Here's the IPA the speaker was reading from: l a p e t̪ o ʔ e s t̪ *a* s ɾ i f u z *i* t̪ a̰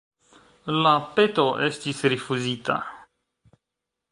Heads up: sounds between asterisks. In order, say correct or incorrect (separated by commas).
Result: incorrect, correct